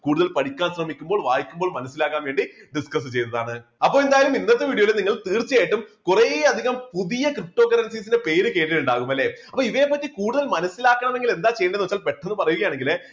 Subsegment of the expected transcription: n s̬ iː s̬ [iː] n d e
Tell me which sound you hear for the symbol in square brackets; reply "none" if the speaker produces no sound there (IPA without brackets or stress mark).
i